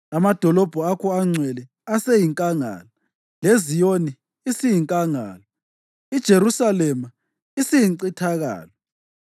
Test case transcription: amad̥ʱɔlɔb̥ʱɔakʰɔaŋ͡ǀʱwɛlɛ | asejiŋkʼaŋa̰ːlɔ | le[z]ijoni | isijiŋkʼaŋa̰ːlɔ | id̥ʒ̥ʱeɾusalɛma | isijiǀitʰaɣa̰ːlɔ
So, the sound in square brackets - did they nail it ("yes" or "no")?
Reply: yes